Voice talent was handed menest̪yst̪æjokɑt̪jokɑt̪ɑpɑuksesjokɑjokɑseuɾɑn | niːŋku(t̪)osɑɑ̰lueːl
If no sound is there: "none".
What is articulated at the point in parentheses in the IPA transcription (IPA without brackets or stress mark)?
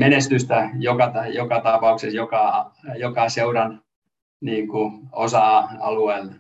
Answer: none